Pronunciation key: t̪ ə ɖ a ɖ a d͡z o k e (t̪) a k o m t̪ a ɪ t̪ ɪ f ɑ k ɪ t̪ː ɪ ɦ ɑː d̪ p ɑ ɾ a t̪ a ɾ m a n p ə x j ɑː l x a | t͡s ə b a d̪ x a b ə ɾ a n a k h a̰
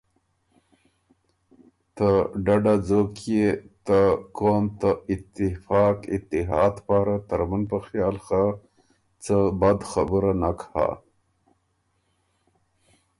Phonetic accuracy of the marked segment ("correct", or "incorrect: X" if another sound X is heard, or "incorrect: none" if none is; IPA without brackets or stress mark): correct